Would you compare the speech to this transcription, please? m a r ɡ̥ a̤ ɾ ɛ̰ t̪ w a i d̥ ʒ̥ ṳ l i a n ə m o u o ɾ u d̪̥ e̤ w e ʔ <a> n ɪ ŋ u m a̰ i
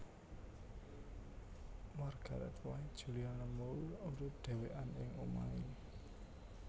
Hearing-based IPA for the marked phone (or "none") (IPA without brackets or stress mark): a